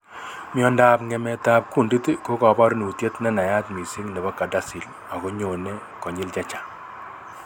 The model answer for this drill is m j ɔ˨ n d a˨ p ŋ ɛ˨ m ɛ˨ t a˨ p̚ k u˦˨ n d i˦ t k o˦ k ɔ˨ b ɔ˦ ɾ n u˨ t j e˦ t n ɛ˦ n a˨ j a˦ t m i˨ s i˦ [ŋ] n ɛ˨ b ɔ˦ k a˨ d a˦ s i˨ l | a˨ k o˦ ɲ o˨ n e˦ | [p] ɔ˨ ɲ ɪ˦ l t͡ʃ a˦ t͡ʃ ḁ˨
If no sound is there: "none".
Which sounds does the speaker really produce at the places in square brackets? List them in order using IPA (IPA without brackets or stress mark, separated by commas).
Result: ŋ, k